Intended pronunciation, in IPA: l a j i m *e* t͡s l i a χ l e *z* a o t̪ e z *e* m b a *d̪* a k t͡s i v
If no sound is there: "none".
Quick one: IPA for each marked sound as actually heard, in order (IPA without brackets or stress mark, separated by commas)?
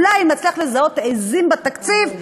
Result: a, z, i, t̪